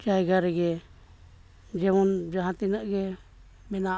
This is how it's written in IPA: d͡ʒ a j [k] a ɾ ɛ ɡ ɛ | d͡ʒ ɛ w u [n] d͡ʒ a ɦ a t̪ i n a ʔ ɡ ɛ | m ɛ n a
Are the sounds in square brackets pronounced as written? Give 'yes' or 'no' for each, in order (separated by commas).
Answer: no, yes